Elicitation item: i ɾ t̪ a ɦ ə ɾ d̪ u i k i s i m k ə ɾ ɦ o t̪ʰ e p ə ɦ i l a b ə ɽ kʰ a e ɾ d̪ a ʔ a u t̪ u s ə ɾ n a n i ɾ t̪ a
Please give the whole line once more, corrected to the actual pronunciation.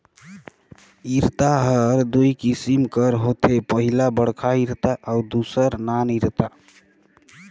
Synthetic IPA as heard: i ɾ t̪ a ɦ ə ɾ d̪ u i k i s i m k ə ɾ ɦ o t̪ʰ e p ə ɦ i l a b ə ɽ kʰ a i ɾ t̪ a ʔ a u d̪ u s ə ɾ n a n i ɾ t̪ a